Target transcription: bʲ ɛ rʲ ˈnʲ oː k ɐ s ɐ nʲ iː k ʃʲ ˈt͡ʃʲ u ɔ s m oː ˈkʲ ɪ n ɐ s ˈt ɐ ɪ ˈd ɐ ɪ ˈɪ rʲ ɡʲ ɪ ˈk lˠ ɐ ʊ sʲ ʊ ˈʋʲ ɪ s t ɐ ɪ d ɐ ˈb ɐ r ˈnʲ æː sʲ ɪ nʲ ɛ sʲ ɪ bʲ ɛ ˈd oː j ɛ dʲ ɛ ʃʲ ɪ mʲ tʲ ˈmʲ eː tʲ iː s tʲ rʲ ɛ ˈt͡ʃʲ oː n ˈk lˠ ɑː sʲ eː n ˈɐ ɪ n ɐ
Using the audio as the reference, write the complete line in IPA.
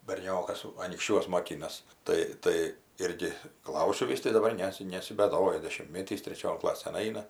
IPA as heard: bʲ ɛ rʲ ˈnʲ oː k ɐ s ɐ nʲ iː k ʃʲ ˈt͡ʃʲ u ɔ s m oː ˈkʲ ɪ n ɐ s ˈt ɐ ɪ ˈt ɐ ɪ ˈɪ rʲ ɡʲ ɪ ˈk lˠ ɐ ʊ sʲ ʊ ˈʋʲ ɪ s t ɐ ɪ d ɐ ˈb ɐ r ˈnʲ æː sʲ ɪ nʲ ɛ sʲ ɪ bʲ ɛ ˈd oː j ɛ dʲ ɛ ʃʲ ɪ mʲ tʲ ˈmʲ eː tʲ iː s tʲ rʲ ɛ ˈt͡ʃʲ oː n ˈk lˠ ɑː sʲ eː n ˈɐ ɪ n ɐ